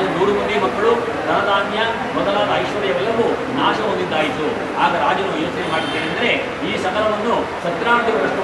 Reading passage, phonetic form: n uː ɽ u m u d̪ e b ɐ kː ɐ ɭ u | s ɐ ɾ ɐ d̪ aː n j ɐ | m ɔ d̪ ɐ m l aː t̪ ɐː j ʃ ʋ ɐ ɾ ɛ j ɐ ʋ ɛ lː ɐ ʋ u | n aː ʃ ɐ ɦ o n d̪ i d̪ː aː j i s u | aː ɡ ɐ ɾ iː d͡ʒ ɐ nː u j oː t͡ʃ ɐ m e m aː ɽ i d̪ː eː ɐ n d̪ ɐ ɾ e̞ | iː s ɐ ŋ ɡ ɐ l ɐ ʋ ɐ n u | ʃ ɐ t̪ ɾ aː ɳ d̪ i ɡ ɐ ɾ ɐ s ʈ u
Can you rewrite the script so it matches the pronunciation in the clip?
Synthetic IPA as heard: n uː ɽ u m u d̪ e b ɐ kː ɐ ɭ u | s ɐ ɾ ɐ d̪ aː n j ɐ | m ɔ d̪ ɐ l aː d̪ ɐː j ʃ ʋ ɐ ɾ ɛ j ɐ ʋ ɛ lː ɐ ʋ u | n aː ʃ ɐ ɦ o n d̪ i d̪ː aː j i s u | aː ɡ ɐ ɾ aː d͡ʒ ɐ n u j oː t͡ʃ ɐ n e m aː ɽ i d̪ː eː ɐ n d̪ ɐ ɾ e̞ | iː s ɐ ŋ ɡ ɐ l ɐ ʋ ɐ nː u | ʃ ɐ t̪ ɾ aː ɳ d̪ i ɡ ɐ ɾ ɐ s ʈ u